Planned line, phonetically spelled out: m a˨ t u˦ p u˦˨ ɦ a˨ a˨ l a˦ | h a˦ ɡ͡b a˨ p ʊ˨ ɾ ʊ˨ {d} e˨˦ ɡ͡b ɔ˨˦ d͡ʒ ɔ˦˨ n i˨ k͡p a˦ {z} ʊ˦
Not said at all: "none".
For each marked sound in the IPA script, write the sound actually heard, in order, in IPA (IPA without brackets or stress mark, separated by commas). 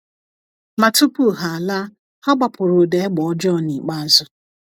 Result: d, z